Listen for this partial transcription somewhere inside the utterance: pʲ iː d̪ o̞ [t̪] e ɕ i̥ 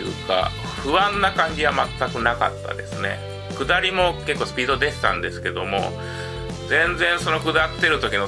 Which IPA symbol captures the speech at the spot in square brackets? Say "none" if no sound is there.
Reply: d̪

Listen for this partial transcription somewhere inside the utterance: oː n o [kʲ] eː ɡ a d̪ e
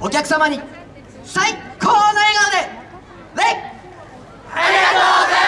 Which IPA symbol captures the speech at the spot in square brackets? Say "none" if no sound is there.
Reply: none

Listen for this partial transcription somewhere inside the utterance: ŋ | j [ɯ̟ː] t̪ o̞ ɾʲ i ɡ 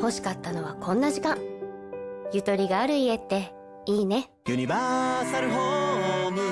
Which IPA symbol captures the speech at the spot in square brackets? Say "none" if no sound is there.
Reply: ɯ̟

